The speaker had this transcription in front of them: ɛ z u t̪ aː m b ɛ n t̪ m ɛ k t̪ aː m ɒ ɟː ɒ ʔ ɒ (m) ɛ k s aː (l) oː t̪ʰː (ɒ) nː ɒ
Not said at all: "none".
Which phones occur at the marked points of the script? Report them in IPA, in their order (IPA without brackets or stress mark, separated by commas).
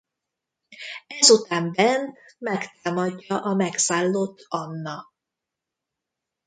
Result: m, lː, ɒ